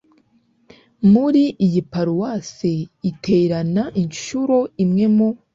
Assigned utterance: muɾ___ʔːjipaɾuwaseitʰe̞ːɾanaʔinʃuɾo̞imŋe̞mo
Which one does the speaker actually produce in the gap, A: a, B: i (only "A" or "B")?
B